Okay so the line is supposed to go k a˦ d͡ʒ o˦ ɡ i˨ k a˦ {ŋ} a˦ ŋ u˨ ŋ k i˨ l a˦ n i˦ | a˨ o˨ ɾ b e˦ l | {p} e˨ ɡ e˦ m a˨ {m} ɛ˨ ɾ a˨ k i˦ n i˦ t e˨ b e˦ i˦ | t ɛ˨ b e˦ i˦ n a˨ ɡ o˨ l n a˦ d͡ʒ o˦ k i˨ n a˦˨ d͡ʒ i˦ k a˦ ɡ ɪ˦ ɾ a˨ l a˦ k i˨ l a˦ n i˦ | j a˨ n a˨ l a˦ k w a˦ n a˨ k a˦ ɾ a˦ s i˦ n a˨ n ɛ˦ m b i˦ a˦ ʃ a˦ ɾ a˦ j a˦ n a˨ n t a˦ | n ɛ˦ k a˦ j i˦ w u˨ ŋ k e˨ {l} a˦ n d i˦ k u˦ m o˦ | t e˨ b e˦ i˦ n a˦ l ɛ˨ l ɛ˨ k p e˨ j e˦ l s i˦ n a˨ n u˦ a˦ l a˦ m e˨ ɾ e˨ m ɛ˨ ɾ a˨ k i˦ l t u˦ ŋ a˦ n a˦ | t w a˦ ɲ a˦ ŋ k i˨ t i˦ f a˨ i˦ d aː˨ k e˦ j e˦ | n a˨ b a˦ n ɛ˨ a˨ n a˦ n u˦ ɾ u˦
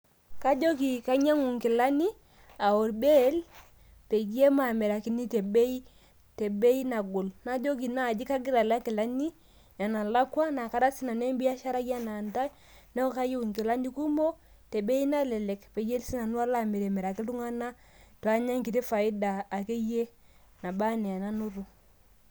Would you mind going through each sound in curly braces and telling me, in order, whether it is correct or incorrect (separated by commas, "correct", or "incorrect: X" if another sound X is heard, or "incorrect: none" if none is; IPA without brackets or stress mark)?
incorrect: ɲ, correct, correct, correct